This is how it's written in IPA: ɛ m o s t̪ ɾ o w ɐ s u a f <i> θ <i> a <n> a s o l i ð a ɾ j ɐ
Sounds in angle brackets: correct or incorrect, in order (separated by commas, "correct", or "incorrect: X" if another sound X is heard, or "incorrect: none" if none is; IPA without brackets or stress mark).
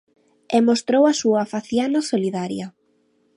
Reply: incorrect: a, incorrect: j, correct